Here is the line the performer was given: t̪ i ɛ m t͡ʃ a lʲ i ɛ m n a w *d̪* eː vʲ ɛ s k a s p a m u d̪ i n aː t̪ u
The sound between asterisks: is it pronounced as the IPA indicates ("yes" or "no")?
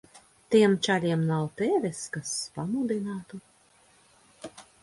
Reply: no